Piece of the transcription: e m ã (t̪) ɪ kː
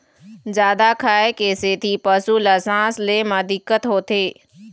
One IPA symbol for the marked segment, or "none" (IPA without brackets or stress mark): d̪